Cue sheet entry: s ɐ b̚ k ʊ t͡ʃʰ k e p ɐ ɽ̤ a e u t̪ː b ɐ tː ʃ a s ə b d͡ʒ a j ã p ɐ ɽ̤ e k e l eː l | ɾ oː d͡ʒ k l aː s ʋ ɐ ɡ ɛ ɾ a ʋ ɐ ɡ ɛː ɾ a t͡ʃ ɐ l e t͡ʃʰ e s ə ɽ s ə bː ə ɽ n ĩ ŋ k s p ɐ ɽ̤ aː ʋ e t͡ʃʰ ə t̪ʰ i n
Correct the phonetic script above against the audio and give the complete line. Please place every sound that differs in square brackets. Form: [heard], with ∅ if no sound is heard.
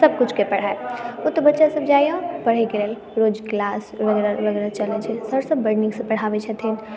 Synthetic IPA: s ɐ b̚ k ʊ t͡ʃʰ k e p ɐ ɽ̤ a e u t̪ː b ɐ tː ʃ a s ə b d͡ʒ a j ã p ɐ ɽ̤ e k e l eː l | ɾ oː d͡ʒ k l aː s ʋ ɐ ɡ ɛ ɾ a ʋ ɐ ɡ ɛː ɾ a t͡ʃ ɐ l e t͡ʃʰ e s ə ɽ s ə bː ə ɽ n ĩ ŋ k s p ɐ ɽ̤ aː ʋ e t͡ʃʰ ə t̪ʰ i n